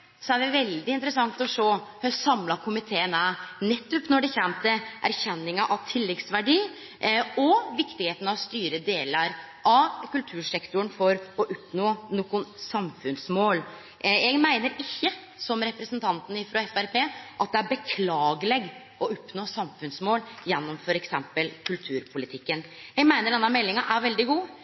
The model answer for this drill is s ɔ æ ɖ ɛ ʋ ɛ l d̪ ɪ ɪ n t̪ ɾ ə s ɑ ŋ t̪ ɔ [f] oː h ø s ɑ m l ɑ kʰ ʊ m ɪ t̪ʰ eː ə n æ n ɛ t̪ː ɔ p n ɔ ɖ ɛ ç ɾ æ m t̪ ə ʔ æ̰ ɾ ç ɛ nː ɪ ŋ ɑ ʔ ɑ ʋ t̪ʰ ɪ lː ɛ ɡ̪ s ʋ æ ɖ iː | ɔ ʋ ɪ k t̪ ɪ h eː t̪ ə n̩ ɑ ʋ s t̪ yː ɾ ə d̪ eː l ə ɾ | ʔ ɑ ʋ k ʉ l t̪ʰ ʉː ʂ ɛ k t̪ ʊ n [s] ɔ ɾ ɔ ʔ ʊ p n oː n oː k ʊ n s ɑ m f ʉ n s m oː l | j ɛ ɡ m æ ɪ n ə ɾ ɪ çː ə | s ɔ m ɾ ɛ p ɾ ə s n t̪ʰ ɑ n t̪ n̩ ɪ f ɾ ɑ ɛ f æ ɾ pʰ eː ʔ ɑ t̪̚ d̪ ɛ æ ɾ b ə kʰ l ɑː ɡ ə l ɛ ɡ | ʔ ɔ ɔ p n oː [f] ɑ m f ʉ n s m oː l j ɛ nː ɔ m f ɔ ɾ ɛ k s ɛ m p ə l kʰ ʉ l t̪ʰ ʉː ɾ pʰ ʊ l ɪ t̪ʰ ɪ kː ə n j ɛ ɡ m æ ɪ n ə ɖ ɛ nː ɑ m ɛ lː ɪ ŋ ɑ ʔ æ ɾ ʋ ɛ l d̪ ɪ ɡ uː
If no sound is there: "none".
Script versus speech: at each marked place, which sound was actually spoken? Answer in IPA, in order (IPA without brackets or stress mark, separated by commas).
ʂ, f, s